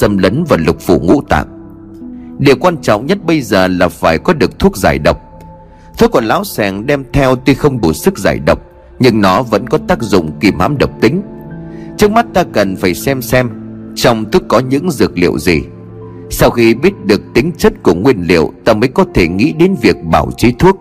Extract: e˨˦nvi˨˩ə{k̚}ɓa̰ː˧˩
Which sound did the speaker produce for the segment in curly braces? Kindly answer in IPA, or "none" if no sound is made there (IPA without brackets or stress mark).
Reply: k̚